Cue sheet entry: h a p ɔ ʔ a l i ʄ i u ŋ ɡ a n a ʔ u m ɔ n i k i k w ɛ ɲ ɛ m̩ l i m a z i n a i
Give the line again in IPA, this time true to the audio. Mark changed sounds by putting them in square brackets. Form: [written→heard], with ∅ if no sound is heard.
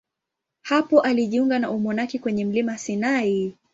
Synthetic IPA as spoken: h a p ɔ ʔ a l i ʄ i u ŋ ɡ a n a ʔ u m ɔ n [i→a] k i k w ɛ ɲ ɛ m̩ l i m a [z→s] i n a i